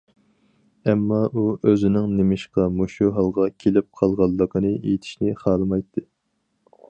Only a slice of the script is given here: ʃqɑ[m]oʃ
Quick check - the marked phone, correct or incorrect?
correct